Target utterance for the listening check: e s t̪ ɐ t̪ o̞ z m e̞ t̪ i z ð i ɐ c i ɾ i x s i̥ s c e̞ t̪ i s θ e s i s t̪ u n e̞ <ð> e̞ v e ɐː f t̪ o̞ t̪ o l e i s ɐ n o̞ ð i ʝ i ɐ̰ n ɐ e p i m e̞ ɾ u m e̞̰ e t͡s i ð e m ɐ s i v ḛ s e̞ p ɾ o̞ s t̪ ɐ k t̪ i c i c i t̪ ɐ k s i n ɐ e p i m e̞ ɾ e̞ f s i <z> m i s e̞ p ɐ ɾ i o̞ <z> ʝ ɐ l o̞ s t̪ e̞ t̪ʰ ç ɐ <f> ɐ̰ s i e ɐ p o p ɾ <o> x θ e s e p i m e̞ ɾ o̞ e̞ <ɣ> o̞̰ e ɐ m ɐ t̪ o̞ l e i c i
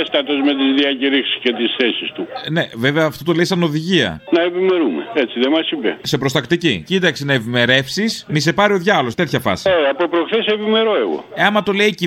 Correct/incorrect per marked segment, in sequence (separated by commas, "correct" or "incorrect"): incorrect, incorrect, incorrect, correct, correct, correct